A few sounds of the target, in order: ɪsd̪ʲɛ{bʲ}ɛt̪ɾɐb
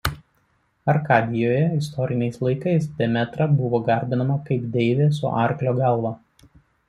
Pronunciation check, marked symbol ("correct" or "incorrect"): incorrect